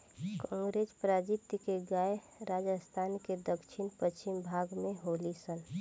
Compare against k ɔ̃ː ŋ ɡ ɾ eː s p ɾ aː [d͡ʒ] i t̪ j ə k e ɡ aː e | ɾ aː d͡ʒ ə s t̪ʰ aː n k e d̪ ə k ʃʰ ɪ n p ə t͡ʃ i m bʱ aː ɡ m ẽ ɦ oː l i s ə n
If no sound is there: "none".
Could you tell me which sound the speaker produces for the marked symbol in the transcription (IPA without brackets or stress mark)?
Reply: d͡ʒ